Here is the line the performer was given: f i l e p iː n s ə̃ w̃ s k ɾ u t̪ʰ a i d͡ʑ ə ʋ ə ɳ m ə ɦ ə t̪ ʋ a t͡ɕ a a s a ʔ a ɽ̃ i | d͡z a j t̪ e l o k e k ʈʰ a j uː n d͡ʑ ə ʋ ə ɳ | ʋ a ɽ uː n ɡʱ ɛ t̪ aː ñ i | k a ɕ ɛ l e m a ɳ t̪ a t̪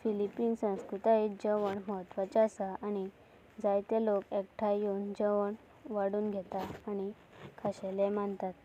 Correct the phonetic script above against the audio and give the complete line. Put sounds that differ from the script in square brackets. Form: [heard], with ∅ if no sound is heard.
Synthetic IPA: f i l [i] p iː n s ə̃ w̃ s k ɾ u [t̪] a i d͡ʑ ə ʋ ə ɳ m ə ɦ ə t̪ ʋ a t͡ɕ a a s a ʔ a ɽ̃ i | d͡z a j t̪ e l o k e k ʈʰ a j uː n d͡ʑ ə ʋ ə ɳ | ʋ a ɽ uː n ɡʱ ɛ t̪ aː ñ i | [kʰ] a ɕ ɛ l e m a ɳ t̪ a t̪

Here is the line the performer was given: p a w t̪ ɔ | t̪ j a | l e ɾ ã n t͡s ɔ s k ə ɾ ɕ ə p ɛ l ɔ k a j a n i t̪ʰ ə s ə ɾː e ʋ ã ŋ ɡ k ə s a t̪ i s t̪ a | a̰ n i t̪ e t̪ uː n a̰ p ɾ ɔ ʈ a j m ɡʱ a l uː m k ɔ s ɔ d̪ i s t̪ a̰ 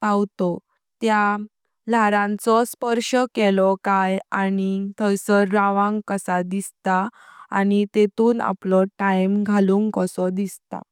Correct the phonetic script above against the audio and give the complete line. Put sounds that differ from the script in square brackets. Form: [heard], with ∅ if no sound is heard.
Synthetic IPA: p a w t̪ ɔ | t̪ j a | l [a] ɾ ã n t͡s ɔ s [p] ə ɾ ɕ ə [k] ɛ l ɔ k a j a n i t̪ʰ ə s ə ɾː [a] ʋ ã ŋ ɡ k ə s a [d̪] i s t̪ a | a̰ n i t̪ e t̪ uː n a̰ p [l] ɔ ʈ a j m ɡʱ a l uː [ŋ] k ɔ s ɔ d̪ i s t̪ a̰

